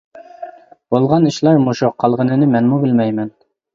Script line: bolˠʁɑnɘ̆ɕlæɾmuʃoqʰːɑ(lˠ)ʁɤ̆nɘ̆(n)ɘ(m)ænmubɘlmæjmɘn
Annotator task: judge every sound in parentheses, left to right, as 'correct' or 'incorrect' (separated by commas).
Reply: correct, correct, correct